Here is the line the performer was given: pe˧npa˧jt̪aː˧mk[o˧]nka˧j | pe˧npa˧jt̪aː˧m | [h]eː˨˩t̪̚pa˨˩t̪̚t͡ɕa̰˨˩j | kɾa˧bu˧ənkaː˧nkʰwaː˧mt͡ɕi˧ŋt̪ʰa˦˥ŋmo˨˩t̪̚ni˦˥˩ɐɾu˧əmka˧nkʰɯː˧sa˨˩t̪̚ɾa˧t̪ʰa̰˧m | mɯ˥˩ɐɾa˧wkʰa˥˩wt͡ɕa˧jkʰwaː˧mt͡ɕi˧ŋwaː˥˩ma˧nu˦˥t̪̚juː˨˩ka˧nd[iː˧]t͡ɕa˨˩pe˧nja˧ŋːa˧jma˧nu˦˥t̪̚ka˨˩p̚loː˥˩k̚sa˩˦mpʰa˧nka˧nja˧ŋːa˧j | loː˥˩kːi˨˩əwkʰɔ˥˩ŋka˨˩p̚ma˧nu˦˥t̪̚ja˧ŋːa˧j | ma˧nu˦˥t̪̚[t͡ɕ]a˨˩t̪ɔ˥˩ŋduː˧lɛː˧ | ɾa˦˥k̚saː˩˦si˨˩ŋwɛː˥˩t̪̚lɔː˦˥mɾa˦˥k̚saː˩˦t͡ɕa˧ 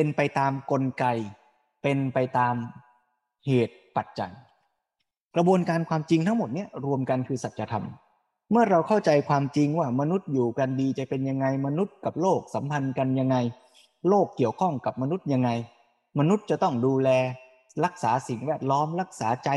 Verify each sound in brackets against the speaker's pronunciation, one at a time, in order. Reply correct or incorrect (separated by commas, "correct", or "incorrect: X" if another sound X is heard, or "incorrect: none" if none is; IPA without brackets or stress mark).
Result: correct, correct, correct, correct